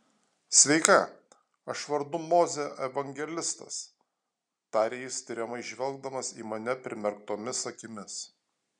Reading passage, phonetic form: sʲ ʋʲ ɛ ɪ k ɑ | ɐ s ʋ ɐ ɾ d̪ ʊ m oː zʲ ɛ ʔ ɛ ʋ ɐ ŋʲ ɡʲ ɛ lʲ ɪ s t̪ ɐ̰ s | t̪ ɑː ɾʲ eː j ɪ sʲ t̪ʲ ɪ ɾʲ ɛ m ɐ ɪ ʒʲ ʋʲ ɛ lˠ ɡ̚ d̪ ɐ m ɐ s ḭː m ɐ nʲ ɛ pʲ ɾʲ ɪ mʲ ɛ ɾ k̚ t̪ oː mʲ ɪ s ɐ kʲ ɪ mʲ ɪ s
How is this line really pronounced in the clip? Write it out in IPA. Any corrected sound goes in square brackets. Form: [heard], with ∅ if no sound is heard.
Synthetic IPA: sʲ ʋʲ ɛ ɪ k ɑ | ɐ [ʃ] ʋ ɐ ɾ d̪ ʊ m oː zʲ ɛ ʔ ɛ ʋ ɐ ŋʲ ɡʲ ɛ lʲ ɪ s t̪ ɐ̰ s | t̪ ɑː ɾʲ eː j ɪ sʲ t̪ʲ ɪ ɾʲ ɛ m ɐ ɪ ʒʲ ʋʲ ɛ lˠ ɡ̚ d̪ ɐ m ɐ s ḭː m ɐ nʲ ɛ pʲ ɾʲ ɪ mʲ ɛ ɾ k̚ t̪ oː mʲ ɪ s ɐ kʲ ɪ mʲ ɪ s